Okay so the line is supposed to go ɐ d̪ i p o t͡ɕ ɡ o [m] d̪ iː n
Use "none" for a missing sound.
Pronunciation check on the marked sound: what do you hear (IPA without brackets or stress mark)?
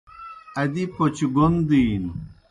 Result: n